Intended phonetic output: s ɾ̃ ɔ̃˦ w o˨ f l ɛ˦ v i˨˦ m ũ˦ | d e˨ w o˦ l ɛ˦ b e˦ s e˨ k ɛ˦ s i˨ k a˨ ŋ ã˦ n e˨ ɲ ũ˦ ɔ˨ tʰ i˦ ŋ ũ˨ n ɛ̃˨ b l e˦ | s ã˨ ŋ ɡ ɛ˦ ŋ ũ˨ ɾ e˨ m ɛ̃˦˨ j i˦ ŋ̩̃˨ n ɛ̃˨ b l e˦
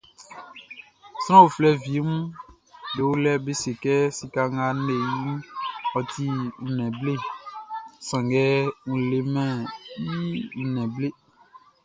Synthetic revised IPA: s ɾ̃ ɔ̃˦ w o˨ f l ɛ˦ v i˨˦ m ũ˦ | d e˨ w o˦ l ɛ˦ b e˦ s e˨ k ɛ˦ s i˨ k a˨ ŋ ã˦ n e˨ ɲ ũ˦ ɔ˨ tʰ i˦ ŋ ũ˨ n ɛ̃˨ b l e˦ | s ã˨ ŋ ɡ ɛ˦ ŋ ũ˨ l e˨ m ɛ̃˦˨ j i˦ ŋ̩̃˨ n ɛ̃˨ b l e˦